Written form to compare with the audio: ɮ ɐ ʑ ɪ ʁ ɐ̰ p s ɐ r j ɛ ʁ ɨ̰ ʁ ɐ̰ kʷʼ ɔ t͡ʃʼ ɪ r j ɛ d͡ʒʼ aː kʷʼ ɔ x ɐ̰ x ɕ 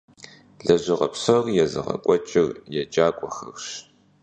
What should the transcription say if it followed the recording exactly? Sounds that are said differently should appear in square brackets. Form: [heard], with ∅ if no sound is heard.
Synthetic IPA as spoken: ɮ ɐ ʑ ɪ ʁ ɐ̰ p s ɐ r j ɛ [z] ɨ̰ ʁ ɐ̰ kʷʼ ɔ t͡ʃʼ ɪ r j ɛ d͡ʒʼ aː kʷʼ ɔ x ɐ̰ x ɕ